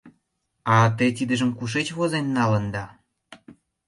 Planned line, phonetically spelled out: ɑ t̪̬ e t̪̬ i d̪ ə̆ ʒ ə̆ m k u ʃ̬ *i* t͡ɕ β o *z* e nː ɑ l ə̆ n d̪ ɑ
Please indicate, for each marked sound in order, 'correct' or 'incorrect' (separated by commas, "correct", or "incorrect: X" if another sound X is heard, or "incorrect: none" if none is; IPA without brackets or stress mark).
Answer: incorrect: e, correct